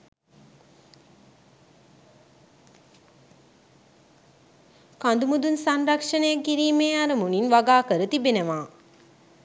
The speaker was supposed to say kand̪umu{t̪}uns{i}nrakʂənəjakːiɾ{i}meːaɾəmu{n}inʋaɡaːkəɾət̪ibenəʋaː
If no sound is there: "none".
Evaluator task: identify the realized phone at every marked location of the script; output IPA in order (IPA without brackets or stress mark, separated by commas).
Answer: d̪, a, iː, n